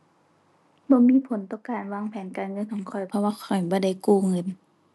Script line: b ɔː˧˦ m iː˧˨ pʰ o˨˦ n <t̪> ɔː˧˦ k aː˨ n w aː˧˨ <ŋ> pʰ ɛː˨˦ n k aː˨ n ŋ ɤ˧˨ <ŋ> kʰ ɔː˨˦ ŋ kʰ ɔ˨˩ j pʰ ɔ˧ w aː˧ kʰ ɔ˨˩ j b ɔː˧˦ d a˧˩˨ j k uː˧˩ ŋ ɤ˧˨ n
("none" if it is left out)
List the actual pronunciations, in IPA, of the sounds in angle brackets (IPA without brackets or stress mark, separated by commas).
t̪, ŋ, n